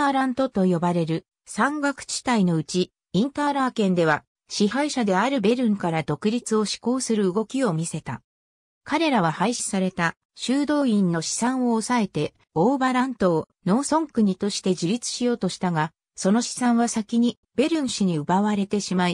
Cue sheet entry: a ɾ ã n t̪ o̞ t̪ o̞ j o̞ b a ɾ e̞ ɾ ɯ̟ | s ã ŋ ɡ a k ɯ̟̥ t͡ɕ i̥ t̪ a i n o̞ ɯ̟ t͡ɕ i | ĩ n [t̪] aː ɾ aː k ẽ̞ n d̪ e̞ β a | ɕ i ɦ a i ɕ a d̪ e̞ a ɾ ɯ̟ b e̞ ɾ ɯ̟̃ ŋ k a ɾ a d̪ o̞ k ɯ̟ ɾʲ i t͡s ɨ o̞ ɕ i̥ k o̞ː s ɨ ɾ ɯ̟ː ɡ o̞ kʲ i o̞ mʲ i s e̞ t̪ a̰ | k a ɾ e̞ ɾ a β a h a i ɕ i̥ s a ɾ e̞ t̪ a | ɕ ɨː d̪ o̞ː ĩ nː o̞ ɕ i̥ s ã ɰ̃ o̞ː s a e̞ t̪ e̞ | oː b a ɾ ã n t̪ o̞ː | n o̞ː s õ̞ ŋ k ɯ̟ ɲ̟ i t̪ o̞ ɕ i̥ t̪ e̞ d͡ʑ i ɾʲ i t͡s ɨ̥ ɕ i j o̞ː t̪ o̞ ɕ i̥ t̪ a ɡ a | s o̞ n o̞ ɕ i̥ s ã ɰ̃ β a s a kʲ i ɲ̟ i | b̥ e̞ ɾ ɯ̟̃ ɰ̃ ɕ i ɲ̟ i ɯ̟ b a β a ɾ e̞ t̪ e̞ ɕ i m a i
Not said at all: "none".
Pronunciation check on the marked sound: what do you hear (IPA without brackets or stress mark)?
t̪